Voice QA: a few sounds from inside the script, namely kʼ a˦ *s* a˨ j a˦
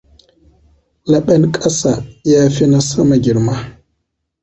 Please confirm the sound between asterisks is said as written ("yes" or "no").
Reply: yes